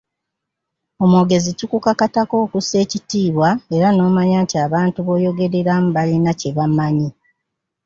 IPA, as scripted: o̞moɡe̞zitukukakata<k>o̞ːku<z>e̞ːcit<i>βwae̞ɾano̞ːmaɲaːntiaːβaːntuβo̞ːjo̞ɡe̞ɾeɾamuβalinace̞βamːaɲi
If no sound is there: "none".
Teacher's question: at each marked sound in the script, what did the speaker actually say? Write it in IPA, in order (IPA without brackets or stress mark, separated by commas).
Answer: k, s, iː